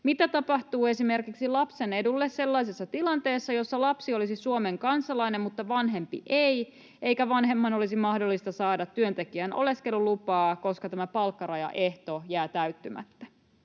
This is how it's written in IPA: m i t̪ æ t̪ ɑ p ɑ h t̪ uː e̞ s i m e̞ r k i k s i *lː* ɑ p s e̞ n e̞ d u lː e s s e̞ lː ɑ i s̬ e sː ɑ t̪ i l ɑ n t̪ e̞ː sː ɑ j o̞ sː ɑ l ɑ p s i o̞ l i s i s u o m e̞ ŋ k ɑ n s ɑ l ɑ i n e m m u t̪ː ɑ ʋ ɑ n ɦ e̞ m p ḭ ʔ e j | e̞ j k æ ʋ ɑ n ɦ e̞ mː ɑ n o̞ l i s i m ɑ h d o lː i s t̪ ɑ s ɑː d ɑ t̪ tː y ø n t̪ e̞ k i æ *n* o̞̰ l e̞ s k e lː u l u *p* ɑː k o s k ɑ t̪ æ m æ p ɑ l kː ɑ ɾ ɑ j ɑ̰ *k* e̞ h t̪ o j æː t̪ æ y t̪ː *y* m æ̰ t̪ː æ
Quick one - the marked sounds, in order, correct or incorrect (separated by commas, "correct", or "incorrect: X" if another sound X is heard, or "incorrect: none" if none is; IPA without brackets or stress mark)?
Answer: incorrect: l, correct, correct, incorrect: ʔ, correct